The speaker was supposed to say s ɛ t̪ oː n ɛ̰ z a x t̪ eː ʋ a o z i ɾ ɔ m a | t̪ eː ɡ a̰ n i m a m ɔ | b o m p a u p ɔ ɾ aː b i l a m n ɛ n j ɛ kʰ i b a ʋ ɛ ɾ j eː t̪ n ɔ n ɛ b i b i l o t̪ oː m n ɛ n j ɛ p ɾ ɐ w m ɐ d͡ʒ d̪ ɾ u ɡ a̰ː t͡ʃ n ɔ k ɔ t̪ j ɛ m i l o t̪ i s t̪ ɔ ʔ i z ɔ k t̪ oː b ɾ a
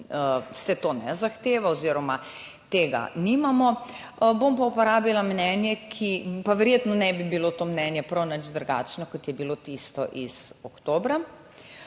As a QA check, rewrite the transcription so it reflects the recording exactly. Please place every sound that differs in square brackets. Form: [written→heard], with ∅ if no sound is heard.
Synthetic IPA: s ɛ t̪ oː n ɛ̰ z a x t̪ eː ʋ a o z i ɾ ɔ m a | t̪ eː ɡ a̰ n i m a m ɔ | b o m p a u p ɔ ɾ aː b i l a m n ɛ n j ɛ kʰ i [b→p] a ʋ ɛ ɾ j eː t̪ n ɔ n ɛ b i b i l o t̪ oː m n ɛ n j ɛ p ɾ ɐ w [m→n] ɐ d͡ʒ d̪ ɾ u ɡ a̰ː t͡ʃ n ɔ k ɔ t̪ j ɛ [m→b] i l o t̪ i s t̪ ɔ ʔ i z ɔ k t̪ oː b ɾ a